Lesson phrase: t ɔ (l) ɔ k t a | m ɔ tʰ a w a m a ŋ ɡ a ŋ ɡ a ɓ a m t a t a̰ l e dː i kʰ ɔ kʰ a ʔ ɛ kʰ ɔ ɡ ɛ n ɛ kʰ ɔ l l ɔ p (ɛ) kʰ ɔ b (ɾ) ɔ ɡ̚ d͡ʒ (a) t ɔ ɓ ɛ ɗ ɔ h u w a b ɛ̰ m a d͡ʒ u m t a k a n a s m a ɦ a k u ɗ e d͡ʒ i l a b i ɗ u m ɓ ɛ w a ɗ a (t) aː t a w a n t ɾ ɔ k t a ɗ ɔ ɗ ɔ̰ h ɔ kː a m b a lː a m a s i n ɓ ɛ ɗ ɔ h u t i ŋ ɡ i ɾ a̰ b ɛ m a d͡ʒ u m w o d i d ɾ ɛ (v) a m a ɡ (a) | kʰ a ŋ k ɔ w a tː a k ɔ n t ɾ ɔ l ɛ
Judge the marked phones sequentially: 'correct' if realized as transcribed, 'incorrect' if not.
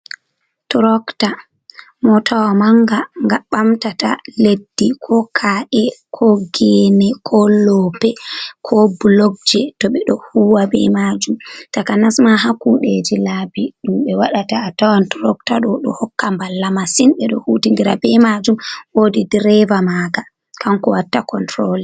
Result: incorrect, correct, incorrect, incorrect, correct, correct, correct

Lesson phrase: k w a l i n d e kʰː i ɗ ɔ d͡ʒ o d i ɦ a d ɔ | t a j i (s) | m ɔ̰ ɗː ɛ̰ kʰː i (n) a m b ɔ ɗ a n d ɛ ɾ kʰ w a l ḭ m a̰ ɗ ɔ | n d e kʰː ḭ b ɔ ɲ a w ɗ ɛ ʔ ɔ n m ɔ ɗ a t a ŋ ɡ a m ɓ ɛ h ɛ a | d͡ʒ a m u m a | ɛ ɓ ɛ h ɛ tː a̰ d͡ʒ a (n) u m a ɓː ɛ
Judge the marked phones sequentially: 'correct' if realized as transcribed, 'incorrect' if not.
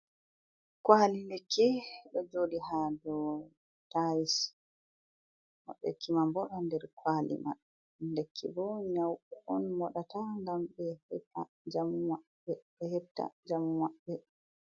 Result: correct, incorrect, incorrect

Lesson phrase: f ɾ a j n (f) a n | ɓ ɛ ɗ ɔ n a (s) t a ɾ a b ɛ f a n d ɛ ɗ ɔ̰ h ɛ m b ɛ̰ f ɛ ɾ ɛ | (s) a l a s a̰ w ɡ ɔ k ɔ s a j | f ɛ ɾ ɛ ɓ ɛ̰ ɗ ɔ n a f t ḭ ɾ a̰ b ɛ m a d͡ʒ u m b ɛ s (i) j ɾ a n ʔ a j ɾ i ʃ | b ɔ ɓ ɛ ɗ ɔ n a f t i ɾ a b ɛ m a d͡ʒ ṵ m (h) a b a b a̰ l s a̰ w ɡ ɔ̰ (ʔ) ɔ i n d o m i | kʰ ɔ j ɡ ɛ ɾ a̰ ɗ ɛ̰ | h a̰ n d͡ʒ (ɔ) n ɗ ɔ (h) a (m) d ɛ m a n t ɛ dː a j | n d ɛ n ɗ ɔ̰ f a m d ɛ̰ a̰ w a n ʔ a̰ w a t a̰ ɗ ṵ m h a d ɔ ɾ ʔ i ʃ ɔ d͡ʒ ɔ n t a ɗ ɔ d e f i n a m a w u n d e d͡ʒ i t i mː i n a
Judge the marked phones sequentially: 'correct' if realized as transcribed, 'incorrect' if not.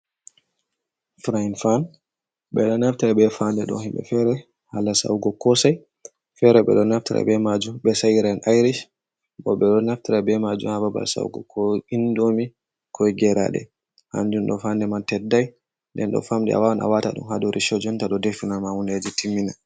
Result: correct, incorrect, incorrect, incorrect, correct, incorrect, incorrect, incorrect, incorrect

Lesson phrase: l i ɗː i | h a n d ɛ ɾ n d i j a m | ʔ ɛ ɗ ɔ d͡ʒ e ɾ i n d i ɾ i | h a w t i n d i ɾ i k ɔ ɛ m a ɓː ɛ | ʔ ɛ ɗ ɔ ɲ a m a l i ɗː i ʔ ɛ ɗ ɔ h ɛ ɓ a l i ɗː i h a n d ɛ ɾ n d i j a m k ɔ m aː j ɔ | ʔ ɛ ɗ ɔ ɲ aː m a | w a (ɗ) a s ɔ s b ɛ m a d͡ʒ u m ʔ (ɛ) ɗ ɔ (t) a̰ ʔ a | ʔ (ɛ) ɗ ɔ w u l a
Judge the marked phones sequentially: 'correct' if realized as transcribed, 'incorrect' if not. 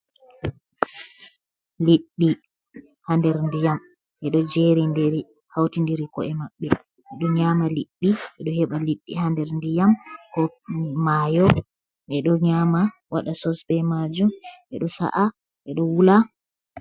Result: correct, correct, incorrect, correct

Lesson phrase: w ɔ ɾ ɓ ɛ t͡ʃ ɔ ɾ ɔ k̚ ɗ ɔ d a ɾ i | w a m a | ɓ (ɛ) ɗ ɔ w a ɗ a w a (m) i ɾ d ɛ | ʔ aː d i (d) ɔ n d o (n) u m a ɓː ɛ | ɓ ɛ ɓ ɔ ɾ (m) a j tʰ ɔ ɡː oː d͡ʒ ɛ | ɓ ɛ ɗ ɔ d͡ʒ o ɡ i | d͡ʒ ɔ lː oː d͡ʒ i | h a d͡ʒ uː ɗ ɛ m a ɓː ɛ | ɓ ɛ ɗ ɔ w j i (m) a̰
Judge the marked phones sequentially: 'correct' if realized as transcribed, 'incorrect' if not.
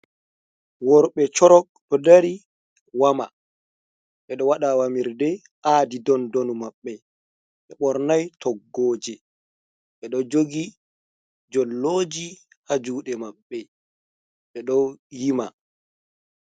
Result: correct, correct, correct, correct, incorrect, correct

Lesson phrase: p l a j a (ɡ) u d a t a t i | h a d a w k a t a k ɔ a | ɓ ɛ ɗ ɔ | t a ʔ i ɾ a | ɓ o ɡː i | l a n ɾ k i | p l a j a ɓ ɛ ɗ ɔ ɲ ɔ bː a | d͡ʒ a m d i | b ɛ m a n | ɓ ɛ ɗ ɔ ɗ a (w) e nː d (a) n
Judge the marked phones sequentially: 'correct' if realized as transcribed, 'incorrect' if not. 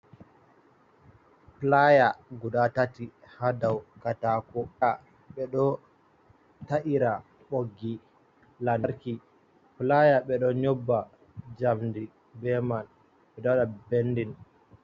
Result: correct, incorrect, incorrect

